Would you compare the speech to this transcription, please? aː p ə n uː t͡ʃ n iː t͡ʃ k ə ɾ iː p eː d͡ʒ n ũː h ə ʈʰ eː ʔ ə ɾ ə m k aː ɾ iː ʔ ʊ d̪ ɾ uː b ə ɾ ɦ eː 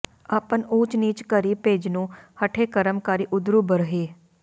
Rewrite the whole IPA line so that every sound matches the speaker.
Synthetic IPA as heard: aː p ə n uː t͡ʃ n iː t͡ʃ k ə ɾ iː p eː d͡ʒ n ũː h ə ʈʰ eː k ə ɾ ə m k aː ɾ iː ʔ ʊ d̪ ɾ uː b ə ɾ ɦ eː